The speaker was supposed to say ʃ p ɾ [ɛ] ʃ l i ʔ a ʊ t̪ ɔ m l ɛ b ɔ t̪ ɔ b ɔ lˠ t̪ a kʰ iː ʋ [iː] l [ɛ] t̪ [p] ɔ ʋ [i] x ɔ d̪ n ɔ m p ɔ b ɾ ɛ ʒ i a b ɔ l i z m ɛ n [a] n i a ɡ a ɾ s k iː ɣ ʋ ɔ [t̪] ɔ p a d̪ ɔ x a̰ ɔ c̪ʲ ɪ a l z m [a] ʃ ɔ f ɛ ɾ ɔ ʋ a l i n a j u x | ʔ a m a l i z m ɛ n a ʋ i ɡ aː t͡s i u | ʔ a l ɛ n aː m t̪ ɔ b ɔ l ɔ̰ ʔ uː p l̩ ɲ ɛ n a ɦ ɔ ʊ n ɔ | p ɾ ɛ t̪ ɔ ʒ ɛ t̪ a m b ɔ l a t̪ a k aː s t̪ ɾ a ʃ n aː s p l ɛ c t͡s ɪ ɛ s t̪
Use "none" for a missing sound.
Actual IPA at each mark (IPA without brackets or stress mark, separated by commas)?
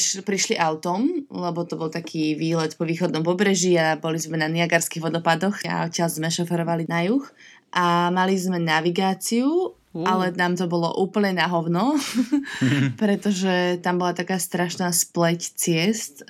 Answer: i, iː, ɛ, p, iː, a, d̪, ɛ